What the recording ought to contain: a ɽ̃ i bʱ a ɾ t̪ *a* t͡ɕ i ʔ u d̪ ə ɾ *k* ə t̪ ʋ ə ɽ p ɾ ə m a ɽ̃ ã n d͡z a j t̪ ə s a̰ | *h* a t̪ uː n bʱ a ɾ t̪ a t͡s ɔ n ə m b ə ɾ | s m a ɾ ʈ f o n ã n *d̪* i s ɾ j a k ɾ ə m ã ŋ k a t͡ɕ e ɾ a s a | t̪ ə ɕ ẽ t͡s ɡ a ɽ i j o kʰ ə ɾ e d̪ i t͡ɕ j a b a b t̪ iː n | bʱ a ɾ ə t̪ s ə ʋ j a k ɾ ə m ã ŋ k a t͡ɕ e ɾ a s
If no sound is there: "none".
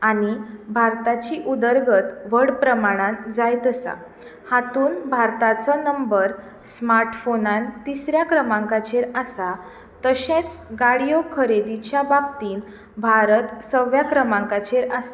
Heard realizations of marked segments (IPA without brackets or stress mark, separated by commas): a, ɡ, h, t̪